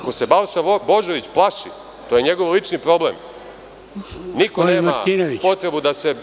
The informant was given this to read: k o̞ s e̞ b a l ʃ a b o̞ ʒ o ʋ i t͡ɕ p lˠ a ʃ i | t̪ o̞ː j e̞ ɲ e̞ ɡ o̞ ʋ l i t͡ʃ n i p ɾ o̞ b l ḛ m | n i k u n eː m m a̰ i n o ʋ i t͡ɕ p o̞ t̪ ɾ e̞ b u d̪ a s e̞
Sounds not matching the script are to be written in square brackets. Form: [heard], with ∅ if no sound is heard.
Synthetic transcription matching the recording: k o̞ s e̞ b a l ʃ a b o̞ ʒ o ʋ i t͡ɕ p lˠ a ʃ i | t̪ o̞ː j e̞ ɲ e̞ ɡ o̞ ʋ l i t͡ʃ n i p ɾ o̞ b l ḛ m | n i k [o] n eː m m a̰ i n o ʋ i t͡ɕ p o̞ t̪ ɾ e̞ b u d̪ a s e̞

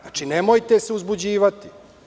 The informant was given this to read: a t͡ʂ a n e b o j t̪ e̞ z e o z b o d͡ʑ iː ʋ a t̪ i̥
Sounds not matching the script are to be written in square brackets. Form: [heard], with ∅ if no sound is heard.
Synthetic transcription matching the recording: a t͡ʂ [i] n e [m] o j t̪ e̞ [s] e [u] z b [u] d͡ʑ iː ʋ a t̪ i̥

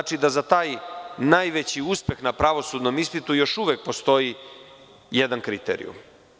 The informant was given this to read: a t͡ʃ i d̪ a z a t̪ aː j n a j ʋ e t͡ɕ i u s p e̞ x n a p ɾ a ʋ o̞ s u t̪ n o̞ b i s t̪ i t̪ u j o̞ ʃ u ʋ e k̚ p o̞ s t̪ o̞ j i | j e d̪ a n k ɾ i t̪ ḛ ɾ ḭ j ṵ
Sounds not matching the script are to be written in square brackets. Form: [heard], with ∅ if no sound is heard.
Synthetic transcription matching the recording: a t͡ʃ i d̪ a z a t̪ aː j n a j ʋ e t͡ɕ i u s p e̞ x n a p ɾ a ʋ o̞ s u [d̪] n o̞ [m] i s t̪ i t̪ u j o̞ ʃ u ʋ e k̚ p o̞ s t̪ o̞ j i | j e d̪ a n k ɾ i t̪ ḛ ɾ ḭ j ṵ

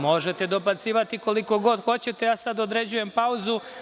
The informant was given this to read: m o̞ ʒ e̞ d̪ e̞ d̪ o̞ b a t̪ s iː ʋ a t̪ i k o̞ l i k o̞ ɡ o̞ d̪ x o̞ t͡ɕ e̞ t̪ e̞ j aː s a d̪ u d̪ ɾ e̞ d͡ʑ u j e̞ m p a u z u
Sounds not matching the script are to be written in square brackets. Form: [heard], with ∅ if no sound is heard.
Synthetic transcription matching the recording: m o̞ ʒ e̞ [t̪] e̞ d̪ o̞ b a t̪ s iː ʋ a t̪ i k o̞ l i k o̞ ɡ o̞ d̪ x o̞ t͡ɕ e̞ t̪ e̞ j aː s a d̪ [o] d̪ ɾ e̞ d͡ʑ u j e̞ m p a u z u

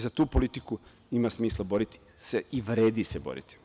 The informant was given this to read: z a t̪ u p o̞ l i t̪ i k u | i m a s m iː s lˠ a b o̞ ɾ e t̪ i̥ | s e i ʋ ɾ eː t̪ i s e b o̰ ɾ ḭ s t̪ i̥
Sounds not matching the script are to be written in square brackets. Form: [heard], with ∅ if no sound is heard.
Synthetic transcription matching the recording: z a t̪ [uː] p o̞ l i t̪ i k u | i m a s m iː s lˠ a b o̞ ɾ [i] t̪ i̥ | s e i ʋ ɾ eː [d̪] i s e b o̰ ɾ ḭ [∅] t̪ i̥

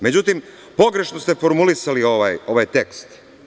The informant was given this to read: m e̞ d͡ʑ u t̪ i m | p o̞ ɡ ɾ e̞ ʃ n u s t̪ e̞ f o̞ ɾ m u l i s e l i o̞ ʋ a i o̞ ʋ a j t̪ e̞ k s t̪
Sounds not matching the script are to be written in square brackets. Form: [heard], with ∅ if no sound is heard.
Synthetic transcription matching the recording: m e̞ d͡ʑ u t̪ i m | p o̞ ɡ ɾ e̞ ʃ n [o] s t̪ e̞ f o̞ ɾ m u l i s [a] l i o̞ ʋ a [j] o̞ ʋ a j t̪ e̞ k s t̪

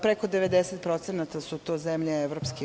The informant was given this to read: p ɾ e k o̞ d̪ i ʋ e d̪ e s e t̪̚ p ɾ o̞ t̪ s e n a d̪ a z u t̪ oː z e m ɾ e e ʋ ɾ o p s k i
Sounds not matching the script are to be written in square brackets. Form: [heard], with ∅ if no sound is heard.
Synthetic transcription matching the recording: p ɾ e k o̞ d̪ [e] ʋ e d̪ e s e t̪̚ p ɾ o̞ t̪ s e n a [t̪] a [s] u t̪ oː z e m [ʎ] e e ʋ ɾ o p s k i

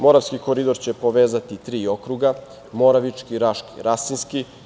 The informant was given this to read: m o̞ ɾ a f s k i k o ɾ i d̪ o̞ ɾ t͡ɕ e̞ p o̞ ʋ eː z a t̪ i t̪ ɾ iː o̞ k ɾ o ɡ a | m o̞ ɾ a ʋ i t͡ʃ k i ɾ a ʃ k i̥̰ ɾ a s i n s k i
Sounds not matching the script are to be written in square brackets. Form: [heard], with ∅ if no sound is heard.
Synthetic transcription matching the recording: m o̞ ɾ a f s k i k o ɾ i d̪ o̞ ɾ t͡ɕ e̞ p o̞ ʋ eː z a t̪ i t̪ ɾ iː o̞ k ɾ [u] ɡ a | m o̞ ɾ a ʋ i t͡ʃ k i ɾ a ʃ k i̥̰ ɾ a s i n s k i

